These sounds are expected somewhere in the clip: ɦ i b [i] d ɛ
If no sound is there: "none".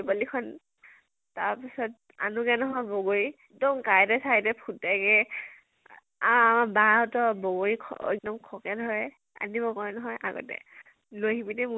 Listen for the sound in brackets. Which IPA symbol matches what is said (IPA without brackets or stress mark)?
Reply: i